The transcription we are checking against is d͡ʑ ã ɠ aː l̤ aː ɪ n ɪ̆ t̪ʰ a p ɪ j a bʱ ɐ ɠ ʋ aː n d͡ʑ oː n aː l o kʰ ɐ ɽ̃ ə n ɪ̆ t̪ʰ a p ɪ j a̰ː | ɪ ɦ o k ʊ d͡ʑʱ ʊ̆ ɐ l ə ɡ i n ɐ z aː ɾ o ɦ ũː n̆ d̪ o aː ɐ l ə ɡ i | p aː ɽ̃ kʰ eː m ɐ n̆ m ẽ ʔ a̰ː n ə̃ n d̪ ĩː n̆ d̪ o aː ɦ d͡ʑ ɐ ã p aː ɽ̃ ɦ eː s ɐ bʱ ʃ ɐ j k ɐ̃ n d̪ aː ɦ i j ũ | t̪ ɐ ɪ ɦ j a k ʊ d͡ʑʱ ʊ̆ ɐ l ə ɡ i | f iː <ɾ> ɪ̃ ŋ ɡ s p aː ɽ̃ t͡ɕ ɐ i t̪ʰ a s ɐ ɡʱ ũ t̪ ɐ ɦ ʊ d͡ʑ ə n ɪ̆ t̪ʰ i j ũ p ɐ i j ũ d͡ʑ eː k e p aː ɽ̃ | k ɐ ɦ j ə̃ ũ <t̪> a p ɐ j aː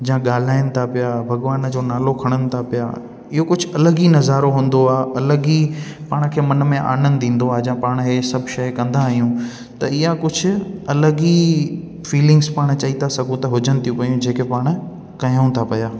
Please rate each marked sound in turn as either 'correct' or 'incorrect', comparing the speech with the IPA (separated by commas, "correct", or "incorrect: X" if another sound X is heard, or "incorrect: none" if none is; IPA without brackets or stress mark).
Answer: incorrect: l, incorrect: t̪ʰ